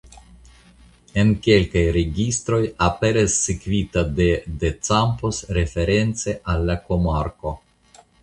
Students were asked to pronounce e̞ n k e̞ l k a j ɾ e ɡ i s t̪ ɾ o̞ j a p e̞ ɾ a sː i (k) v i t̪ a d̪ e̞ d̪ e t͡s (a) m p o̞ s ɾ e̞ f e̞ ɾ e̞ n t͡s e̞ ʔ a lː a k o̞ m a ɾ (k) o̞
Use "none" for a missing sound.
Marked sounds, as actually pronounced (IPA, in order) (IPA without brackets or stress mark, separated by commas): k, a, k